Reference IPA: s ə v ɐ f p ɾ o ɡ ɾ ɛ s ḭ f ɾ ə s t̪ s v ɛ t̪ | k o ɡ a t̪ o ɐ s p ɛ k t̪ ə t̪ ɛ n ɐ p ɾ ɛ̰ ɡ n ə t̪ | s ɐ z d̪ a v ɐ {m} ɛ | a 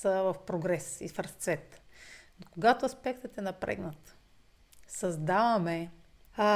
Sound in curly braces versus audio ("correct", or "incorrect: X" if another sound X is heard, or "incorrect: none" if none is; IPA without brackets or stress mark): correct